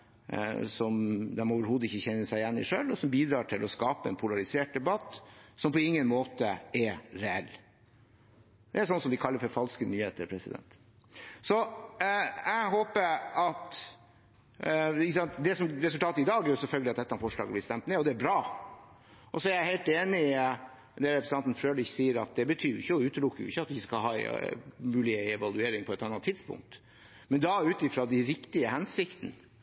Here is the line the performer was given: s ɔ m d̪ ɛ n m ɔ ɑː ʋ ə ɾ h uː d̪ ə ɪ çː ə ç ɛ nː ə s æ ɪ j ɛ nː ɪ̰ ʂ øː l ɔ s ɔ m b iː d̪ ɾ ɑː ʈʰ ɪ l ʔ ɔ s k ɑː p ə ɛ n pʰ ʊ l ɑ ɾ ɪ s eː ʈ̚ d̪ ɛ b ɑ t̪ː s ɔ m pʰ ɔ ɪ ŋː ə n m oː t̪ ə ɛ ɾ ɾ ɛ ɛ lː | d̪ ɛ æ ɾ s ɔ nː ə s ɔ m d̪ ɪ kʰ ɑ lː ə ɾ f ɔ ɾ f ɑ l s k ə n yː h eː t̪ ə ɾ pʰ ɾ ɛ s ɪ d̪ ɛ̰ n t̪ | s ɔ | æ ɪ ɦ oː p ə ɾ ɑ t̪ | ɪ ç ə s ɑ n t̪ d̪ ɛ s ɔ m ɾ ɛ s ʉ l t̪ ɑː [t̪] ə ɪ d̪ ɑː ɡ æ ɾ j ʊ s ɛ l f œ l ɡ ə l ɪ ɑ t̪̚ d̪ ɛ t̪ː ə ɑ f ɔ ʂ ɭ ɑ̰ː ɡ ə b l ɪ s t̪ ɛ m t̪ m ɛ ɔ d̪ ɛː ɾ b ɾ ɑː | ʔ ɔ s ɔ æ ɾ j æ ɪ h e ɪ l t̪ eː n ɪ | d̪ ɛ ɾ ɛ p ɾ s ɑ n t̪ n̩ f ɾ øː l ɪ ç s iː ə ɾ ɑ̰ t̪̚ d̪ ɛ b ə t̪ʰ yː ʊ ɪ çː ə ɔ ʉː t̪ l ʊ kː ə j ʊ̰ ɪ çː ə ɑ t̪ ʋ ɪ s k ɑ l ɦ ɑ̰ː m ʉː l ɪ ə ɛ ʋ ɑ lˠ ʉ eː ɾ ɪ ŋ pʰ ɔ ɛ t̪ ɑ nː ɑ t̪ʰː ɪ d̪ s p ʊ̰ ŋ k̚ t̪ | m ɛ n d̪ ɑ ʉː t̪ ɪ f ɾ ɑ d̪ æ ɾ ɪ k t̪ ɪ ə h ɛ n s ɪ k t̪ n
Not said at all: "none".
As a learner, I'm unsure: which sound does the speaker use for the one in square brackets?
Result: t̪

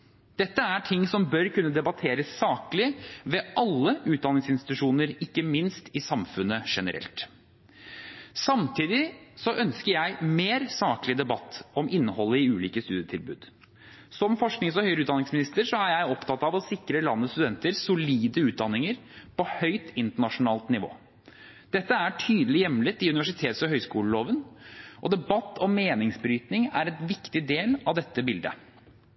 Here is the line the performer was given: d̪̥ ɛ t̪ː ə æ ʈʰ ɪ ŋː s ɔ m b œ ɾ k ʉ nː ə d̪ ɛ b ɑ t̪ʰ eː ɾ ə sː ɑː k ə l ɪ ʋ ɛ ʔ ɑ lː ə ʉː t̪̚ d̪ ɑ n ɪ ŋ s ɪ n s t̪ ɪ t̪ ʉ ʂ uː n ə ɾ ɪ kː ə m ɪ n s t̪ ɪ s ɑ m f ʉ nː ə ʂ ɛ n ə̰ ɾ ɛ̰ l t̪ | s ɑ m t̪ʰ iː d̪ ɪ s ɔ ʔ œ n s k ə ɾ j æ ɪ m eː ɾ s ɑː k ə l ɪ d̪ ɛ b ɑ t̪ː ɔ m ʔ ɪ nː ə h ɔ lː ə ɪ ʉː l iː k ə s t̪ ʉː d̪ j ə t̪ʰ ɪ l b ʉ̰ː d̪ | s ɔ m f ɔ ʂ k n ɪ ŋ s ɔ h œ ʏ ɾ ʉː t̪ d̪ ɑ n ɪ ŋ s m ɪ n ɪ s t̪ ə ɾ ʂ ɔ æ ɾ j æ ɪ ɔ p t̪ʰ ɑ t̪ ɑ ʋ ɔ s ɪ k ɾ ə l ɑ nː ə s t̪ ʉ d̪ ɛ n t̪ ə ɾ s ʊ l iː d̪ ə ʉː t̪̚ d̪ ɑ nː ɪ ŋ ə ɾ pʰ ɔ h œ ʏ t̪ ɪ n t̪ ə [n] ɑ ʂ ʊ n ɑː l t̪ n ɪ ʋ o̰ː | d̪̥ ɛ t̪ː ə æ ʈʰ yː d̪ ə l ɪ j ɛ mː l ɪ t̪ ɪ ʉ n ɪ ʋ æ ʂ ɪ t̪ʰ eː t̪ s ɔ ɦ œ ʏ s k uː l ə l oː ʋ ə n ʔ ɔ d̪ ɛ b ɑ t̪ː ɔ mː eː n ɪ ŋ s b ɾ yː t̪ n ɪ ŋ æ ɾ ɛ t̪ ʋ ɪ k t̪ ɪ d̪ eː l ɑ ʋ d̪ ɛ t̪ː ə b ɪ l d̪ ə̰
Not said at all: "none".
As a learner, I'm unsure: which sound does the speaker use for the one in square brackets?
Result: ɳ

